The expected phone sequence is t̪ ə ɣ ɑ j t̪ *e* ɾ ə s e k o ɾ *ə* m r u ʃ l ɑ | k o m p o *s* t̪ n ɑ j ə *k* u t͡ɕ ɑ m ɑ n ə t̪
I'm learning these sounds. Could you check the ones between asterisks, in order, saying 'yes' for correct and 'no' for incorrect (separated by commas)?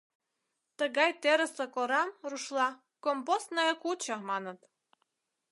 yes, no, yes, yes